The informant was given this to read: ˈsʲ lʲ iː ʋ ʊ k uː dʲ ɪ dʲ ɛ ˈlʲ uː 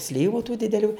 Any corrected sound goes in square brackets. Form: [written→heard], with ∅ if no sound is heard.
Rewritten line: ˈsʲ lʲ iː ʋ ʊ [k→t] uː dʲ ɪ dʲ ɛ ˈlʲ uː